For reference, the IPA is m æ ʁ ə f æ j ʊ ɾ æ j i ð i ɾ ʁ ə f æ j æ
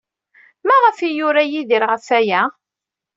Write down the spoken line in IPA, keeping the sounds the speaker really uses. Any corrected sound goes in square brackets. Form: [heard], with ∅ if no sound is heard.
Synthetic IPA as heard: m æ ʁ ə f [i] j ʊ ɾ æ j i ð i ɾ ʁ ə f æ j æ